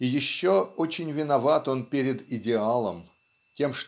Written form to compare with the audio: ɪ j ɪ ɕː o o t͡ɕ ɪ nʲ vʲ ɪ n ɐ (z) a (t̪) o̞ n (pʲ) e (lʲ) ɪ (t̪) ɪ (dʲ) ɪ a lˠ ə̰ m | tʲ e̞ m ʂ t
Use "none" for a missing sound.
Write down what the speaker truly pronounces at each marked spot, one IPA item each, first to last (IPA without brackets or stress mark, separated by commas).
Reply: v, t̪, pʲ, ɾʲ, d̪, dʲ